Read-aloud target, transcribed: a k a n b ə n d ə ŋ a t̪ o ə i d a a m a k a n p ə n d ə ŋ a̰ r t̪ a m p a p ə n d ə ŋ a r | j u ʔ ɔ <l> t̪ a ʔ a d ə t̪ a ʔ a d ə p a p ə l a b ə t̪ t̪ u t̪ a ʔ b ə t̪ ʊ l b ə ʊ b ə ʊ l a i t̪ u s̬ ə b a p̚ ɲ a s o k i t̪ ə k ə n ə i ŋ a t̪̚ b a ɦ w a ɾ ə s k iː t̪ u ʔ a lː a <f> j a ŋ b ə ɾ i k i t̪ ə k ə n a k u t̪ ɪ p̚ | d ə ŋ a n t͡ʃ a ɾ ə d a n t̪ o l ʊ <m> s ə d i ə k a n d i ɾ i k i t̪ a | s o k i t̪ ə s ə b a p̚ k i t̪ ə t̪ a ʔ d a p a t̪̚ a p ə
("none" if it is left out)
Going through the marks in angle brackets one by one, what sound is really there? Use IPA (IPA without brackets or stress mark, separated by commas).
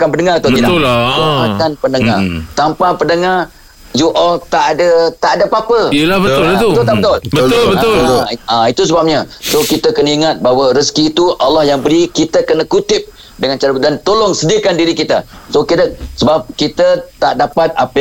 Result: l, h, ŋ